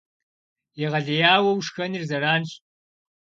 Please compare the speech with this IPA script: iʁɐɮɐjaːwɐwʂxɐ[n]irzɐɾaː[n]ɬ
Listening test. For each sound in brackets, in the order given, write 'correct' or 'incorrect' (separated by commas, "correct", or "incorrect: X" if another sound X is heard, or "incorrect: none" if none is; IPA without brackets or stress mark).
correct, correct